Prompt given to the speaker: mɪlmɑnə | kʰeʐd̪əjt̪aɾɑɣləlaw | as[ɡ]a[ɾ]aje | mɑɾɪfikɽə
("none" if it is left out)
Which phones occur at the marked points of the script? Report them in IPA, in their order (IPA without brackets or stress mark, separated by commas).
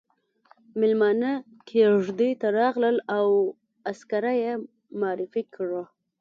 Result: k, ɾ